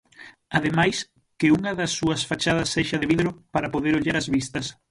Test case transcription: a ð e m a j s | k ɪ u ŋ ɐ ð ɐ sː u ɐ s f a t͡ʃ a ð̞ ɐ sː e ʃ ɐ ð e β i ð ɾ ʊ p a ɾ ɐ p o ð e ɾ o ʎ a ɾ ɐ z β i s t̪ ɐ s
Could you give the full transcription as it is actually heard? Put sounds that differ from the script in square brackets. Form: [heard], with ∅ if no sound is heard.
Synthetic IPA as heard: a ð e m a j s | k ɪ u ŋ ɐ ð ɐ sː u ɐ s f a t͡ʃ a ð̞ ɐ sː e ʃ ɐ ð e β i ð ɾ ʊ p a ɾ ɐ p o ð e ɾ o ʎ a ɾ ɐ z β i s t̪ ɐ s